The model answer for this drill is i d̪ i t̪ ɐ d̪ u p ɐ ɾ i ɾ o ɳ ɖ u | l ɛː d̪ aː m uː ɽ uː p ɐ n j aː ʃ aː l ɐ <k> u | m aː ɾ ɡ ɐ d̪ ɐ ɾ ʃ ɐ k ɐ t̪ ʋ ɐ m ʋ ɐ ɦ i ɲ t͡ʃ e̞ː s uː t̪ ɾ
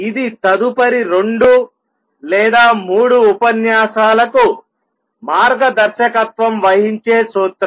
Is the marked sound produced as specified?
yes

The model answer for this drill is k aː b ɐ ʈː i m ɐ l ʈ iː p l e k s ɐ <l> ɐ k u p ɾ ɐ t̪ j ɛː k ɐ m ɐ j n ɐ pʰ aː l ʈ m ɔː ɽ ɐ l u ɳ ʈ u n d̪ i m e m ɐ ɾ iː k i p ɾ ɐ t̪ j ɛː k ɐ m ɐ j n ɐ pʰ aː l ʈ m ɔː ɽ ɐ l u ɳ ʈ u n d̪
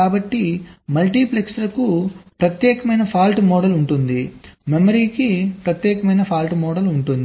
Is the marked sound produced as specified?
yes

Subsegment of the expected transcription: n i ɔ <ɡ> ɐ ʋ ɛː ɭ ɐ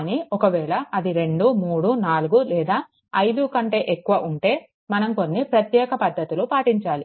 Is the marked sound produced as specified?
no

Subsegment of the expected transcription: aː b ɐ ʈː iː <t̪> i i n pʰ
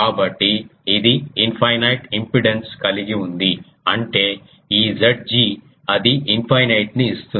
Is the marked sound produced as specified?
no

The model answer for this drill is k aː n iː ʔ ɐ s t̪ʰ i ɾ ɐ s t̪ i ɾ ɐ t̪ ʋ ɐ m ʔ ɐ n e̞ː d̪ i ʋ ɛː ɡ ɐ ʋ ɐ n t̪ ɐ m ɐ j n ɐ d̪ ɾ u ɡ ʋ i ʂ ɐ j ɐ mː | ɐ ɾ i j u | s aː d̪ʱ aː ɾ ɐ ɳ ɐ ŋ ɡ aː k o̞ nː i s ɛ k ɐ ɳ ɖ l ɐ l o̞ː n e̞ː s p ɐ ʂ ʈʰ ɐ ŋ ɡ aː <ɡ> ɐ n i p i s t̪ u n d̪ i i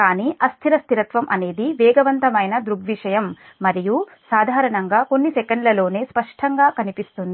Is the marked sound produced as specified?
no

